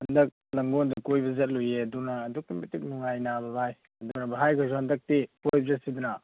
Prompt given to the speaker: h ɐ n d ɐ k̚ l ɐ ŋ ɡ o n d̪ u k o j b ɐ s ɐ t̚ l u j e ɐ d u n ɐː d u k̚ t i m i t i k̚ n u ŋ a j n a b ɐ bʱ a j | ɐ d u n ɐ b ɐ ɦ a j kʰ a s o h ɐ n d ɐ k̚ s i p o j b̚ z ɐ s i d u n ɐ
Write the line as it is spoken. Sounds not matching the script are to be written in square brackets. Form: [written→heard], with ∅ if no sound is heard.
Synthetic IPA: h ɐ n d ɐ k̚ l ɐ ŋ ɡ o n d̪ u k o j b ɐ [s→z] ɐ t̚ l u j e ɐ d u n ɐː d u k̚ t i m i t i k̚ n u ŋ a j n a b ɐ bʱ a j | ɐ d u n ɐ b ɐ ɦ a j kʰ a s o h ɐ n d ɐ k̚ [s→t] i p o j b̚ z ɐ s i d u n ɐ